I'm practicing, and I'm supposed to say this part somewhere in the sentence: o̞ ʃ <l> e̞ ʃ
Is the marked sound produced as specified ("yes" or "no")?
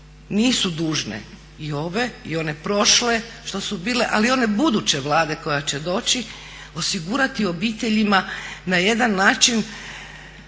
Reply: yes